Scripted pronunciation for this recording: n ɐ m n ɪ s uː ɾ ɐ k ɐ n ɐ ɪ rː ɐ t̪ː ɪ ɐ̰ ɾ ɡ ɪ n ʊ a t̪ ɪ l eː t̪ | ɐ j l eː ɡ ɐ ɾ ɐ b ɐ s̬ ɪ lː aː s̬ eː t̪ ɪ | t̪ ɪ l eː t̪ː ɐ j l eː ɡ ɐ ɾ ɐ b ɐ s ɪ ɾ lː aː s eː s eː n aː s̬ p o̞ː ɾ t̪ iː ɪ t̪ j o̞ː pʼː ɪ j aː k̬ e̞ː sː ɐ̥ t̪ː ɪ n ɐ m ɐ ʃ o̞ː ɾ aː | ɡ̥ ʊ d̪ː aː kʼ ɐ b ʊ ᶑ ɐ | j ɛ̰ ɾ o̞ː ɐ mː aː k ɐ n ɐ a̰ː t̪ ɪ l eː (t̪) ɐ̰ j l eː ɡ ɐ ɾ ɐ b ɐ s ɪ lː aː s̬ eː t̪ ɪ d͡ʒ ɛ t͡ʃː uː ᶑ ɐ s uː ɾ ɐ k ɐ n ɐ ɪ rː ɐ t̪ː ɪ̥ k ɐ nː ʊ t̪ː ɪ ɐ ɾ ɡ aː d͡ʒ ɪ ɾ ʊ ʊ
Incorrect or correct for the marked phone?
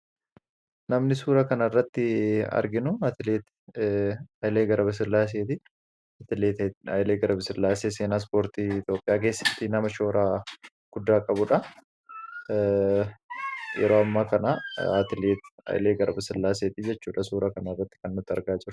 correct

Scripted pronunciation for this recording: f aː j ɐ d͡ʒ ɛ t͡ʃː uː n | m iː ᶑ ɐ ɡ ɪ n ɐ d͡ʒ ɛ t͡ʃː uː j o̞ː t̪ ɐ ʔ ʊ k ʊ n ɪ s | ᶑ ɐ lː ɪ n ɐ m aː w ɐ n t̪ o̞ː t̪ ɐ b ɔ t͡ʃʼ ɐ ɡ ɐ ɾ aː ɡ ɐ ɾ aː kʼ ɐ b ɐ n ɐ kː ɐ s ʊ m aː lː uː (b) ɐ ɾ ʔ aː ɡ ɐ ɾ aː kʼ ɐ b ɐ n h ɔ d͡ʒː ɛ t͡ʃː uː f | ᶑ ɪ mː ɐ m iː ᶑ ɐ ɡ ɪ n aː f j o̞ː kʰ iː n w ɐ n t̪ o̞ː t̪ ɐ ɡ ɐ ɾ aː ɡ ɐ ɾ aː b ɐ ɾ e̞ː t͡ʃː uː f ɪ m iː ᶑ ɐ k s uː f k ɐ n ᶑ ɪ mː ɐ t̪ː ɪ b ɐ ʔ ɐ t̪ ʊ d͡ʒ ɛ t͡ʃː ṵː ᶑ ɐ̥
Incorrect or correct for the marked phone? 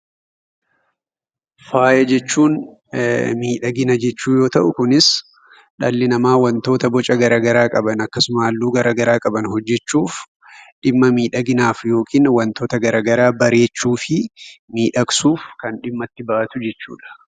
incorrect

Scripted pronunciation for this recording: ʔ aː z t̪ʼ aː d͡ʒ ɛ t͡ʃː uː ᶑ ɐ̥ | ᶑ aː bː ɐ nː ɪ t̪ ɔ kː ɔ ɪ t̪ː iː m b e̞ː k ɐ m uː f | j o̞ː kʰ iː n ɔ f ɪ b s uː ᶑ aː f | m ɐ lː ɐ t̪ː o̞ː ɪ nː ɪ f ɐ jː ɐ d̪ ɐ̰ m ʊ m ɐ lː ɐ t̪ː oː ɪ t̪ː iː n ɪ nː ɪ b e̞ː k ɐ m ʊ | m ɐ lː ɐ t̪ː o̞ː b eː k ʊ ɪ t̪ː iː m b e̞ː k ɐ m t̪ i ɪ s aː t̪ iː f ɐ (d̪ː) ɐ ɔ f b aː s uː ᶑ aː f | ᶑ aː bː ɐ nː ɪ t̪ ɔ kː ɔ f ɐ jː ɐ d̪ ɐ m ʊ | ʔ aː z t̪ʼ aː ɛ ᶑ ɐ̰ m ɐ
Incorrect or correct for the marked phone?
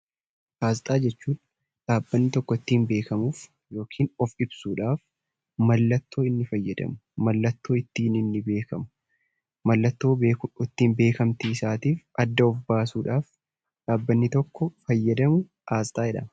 correct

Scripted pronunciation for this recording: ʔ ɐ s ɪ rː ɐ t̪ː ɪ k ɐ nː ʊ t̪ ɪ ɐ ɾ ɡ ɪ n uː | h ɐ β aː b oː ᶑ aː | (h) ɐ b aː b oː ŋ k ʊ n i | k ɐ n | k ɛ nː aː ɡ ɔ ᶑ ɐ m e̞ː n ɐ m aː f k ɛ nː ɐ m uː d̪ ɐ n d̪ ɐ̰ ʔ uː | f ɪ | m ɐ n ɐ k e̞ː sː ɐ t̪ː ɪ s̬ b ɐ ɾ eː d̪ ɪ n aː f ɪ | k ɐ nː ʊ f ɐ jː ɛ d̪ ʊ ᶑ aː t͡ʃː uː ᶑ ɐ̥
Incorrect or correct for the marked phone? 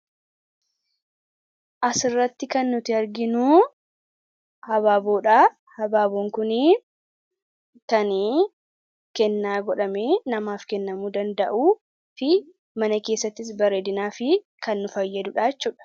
correct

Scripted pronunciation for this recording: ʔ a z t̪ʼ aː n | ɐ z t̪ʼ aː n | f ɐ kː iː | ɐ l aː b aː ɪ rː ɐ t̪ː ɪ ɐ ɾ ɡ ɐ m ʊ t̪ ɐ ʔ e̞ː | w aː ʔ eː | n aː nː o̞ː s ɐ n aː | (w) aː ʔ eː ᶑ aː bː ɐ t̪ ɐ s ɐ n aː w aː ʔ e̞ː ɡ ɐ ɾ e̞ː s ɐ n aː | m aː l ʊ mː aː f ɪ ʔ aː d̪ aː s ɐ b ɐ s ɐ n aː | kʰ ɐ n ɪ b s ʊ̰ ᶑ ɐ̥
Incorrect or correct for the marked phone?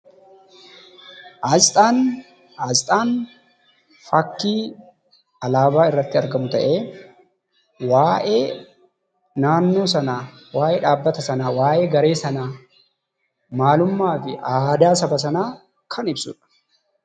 correct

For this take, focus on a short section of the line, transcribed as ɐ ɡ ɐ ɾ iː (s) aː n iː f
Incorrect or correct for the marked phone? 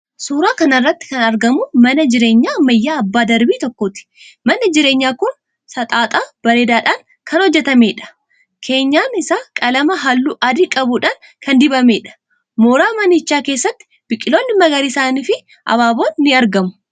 correct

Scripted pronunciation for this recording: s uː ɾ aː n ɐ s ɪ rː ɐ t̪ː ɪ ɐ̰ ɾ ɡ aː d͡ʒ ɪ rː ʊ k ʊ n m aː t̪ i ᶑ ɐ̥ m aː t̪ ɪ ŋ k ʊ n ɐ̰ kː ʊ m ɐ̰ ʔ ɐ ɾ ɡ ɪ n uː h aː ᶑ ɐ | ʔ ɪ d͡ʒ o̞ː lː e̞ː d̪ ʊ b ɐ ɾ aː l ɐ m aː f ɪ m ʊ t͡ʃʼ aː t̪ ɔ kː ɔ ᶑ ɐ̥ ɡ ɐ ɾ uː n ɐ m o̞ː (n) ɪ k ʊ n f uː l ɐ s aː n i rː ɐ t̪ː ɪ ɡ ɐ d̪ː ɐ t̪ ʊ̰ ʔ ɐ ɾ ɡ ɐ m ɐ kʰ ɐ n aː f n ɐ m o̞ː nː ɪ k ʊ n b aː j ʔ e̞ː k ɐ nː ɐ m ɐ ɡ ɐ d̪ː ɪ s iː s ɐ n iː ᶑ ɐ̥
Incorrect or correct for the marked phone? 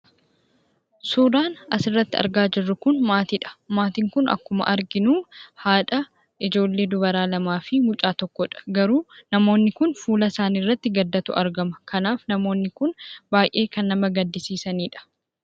incorrect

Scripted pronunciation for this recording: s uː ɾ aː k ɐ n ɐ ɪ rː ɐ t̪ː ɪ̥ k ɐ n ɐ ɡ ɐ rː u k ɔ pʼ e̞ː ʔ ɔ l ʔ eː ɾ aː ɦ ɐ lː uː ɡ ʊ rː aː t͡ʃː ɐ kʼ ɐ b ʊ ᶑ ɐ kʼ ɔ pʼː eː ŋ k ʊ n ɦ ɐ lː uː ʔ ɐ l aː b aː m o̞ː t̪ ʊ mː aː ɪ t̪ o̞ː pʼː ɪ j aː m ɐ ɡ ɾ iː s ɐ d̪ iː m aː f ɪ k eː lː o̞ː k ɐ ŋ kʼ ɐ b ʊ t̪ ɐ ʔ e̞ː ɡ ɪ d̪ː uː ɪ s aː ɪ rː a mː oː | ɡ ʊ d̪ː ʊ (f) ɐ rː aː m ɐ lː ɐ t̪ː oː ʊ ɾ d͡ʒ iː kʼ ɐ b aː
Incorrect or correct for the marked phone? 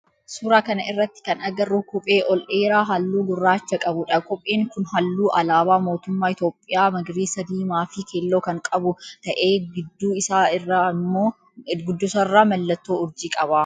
incorrect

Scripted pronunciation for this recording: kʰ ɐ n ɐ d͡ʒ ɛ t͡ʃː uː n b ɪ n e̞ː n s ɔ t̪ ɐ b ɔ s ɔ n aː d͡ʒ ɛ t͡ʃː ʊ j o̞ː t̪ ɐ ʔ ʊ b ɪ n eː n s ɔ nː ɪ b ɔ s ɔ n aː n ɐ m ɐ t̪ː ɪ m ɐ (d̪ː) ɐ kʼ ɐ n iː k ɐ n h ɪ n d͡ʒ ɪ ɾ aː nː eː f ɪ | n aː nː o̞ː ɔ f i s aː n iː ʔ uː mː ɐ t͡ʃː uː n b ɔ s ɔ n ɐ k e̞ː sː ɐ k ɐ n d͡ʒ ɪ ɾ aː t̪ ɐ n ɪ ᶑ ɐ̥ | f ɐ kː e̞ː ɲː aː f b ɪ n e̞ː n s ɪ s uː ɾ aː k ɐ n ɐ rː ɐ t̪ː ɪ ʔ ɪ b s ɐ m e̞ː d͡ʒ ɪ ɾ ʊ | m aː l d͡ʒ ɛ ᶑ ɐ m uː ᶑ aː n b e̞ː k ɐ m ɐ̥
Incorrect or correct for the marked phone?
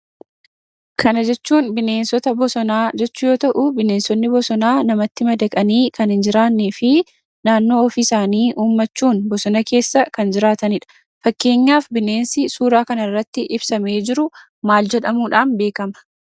incorrect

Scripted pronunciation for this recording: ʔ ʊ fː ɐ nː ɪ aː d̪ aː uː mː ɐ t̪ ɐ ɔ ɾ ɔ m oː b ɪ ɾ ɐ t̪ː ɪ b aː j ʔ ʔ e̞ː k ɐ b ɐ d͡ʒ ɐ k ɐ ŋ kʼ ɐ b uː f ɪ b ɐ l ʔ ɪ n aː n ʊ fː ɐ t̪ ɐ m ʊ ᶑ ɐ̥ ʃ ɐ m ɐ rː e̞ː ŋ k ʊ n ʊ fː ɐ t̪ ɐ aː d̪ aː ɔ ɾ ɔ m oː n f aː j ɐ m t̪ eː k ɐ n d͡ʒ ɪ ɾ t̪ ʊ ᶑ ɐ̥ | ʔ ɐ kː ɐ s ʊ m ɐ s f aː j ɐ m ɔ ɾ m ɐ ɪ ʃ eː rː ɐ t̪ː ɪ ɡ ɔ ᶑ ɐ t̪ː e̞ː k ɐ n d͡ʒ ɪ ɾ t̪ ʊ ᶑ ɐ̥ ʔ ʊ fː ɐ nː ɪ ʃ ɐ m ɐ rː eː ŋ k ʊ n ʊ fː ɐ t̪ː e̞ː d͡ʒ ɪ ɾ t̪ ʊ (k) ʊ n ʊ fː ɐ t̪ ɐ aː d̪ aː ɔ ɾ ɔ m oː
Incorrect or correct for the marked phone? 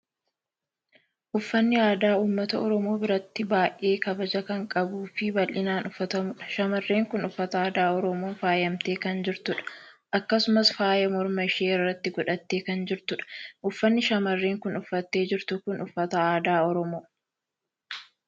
correct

